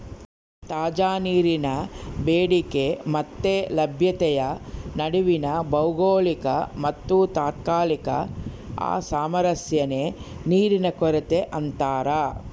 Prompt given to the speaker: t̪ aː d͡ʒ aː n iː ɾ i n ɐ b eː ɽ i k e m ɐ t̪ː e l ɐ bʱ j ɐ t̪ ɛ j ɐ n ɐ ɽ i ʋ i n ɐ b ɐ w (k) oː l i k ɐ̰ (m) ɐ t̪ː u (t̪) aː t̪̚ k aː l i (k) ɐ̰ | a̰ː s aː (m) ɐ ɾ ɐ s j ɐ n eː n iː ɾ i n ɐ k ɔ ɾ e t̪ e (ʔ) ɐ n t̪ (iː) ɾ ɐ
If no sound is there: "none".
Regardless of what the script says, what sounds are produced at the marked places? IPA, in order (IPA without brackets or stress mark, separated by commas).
ɡ, m, t̪, k, m, ʔ, aː